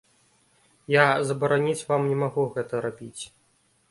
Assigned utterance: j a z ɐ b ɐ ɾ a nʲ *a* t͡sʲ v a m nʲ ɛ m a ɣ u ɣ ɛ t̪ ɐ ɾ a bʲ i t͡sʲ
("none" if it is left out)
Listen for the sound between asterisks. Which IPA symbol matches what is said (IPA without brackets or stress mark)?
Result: i